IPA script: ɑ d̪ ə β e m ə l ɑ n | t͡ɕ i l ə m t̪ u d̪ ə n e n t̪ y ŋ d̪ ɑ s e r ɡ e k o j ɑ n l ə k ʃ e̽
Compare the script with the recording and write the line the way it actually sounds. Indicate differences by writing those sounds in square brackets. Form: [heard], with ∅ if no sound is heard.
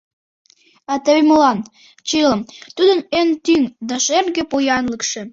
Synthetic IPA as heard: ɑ [t̪] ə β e m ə l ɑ n | t͡ɕ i l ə m t̪ u d̪ ə n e n t̪ y ŋ d̪ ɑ [ʃ] e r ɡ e [p] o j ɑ n l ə k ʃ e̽